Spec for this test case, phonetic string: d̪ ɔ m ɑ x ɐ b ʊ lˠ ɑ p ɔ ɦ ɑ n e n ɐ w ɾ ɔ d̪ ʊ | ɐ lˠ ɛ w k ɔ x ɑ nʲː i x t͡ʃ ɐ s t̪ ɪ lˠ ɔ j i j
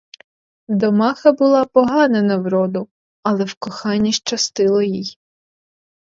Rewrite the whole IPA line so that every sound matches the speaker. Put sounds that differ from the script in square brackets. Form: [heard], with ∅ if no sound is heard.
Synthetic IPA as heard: d̪ ɔ m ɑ x ɐ b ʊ lˠ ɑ p ɔ ɦ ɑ n e n ɐ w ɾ ɔ d̪ ʊ | ɐ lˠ ɛ w k ɔ x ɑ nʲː i [ʃ] t͡ʃ ɐ s t̪ ɪ lˠ ɔ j i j

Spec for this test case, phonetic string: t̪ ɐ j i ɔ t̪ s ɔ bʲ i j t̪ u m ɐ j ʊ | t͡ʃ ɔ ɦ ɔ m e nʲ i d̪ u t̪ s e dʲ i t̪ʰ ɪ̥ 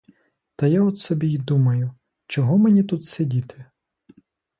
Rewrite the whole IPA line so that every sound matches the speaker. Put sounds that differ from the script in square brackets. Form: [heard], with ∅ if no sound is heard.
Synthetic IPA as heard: t̪ ɐ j [a] ɔ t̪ s ɔ bʲ i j [d̪] u m ɐ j ʊ | t͡ʃ ɔ ɦ ɔ m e nʲ i [t̪] u t̪ s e dʲ i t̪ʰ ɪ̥

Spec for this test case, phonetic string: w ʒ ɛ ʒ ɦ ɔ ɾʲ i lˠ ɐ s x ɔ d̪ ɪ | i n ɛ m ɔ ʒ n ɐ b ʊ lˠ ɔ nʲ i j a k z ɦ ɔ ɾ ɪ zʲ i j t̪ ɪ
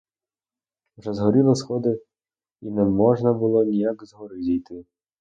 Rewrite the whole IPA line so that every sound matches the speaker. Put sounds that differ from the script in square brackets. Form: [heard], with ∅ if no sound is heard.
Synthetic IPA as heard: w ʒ ɛ [z] ɦ ɔ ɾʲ i lˠ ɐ s x ɔ d̪ ɪ | i n ɛ m ɔ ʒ n ɐ b ʊ lˠ ɔ nʲ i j a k z ɦ ɔ ɾ ɪ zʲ i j t̪ ɪ

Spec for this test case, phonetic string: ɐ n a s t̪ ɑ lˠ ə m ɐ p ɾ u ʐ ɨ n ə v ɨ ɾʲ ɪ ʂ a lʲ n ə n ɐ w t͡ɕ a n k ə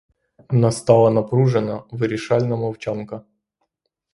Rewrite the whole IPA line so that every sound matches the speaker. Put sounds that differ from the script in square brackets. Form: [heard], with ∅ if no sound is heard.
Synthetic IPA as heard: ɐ n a s t̪ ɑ lˠ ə [n] ɐ p ɾ u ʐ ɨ n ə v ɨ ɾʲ ɪ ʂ a lʲ n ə [m] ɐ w t͡ɕ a n k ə

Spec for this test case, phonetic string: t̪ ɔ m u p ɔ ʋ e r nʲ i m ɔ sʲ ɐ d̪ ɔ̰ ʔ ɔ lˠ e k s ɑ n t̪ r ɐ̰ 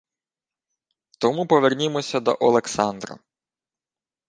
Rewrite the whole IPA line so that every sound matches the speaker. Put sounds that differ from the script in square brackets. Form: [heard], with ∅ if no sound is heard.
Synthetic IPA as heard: t̪ ɔ m u p ɔ ʋ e r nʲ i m ɔ sʲ ɐ d̪ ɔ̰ ʔ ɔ lˠ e k s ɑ n [d̪] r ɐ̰

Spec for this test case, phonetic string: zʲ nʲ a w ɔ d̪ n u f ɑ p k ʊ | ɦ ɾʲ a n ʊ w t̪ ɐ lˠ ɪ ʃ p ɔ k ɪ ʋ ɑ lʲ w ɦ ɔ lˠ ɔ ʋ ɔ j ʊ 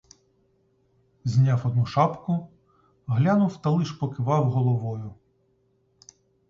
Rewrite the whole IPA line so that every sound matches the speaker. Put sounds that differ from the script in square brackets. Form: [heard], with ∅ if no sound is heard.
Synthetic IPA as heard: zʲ nʲ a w ɔ d̪ n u [ʃ] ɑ p k ʊ | ɦ [lʲ] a n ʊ w t̪ ɐ lˠ ɪ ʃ p ɔ k ɪ ʋ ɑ [∅] w ɦ ɔ lˠ ɔ ʋ ɔ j ʊ

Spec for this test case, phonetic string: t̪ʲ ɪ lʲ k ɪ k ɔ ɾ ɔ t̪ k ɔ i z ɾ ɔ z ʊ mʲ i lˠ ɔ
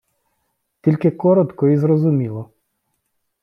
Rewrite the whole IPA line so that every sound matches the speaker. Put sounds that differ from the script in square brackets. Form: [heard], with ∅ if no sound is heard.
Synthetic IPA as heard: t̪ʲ [i] lʲ k ɪ k ɔ ɾ ɔ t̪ k ɔ i z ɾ ɔ z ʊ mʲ i lˠ ɔ

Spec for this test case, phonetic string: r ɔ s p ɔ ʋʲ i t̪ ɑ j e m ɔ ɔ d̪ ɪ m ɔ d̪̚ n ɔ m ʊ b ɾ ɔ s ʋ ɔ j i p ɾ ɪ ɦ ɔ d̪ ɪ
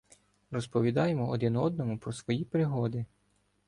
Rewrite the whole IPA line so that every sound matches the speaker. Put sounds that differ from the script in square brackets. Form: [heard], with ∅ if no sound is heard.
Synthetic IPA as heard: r ɔ s p ɔ ʋʲ i [d̪] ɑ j e m ɔ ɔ d̪ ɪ [n] ɔ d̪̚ n ɔ m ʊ [p] ɾ ɔ s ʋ ɔ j i p ɾ ɪ ɦ ɔ d̪ ɪ

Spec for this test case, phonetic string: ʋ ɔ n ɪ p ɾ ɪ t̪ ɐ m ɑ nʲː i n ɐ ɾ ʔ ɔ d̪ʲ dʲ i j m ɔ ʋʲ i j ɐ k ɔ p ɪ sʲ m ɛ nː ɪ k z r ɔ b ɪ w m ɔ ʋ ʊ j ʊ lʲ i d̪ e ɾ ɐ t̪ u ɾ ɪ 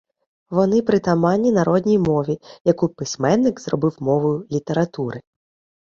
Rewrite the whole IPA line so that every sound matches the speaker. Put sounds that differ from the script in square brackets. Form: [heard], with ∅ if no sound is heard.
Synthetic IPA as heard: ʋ ɔ n ɪ p ɾ ɪ t̪ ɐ m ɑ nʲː i n ɐ ɾ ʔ ɔ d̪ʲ [nʲ] i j m ɔ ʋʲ i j ɐ k [u] p ɪ sʲ m ɛ nː ɪ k z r ɔ b ɪ w m ɔ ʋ ʊ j ʊ lʲ i [t̪] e ɾ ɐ t̪ u ɾ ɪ

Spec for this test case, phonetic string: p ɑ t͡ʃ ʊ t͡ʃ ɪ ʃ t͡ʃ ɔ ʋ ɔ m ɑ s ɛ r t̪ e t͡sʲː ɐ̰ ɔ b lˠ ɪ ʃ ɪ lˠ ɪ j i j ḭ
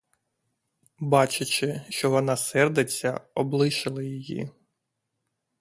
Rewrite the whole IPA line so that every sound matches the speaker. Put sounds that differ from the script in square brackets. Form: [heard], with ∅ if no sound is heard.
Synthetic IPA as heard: [b] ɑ t͡ʃ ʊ t͡ʃ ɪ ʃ t͡ʃ ɔ ʋ ɔ [n] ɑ s ɛ r [d̪] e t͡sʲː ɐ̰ ɔ b lˠ ɪ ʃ ɪ lˠ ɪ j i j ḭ

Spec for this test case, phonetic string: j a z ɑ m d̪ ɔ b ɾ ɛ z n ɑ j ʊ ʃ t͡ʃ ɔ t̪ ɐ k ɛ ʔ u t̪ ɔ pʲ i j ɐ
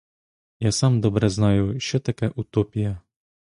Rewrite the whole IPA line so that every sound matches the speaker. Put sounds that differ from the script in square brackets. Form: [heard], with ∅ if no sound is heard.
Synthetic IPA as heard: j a [s] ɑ m d̪ ɔ b ɾ ɛ z n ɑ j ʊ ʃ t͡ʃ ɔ t̪ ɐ k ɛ ʔ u t̪ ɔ pʲ i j ɐ

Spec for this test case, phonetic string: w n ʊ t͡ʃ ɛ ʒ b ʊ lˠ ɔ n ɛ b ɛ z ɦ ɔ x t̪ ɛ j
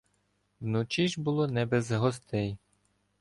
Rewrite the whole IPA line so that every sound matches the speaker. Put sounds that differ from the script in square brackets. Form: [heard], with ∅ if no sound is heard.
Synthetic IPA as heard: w n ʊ t͡ʃ [i] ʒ b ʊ lˠ ɔ n ɛ b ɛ z ɦ ɔ [s] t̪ ɛ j

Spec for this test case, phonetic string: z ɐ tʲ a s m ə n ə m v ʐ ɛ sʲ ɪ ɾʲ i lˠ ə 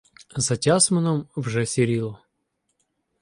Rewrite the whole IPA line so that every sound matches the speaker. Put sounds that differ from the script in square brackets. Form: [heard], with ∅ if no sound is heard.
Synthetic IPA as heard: z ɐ tʲ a s m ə n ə m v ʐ ɛ sʲ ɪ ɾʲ i lˠ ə

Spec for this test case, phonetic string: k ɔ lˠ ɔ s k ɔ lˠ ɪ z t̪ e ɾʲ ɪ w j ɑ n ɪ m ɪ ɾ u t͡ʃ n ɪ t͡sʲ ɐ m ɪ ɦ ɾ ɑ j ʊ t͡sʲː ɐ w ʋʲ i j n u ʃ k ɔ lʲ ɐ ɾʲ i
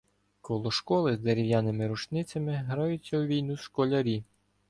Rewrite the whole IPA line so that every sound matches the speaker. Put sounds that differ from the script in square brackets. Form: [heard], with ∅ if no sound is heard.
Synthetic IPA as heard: k ɔ lˠ ɔ [ʃ] k ɔ lˠ ɪ z [d̪] e ɾʲ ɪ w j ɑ n ɪ m ɪ ɾ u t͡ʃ n ɪ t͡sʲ ɐ m ɪ ɦ ɾ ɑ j ʊ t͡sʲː ɐ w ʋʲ i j n u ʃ k ɔ lʲ ɐ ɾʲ i

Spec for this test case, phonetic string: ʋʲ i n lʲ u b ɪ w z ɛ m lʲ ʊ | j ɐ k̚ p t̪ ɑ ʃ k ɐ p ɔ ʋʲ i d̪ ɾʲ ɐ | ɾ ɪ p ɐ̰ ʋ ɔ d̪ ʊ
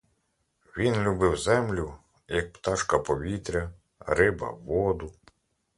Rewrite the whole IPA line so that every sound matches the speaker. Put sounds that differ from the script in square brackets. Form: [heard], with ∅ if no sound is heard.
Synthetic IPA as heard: ʋʲ i n lʲ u b ɪ w z ɛ m lʲ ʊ | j ɐ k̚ p t̪ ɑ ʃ k ɐ p ɔ ʋʲ i [t̪] ɾʲ ɐ | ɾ ɪ [b] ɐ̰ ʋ ɔ d̪ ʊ

